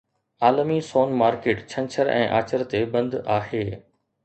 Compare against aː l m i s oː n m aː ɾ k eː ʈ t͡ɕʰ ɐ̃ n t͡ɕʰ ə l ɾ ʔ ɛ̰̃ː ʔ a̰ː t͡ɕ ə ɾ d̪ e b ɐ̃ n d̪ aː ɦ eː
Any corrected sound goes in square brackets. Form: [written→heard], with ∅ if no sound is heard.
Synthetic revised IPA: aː l m i s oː n m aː ɾ k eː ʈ t͡ɕʰ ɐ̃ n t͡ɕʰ ə [l→∅] ɾ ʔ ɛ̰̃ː ʔ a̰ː t͡ɕ ə ɾ [d̪→t̪] e b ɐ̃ n d̪ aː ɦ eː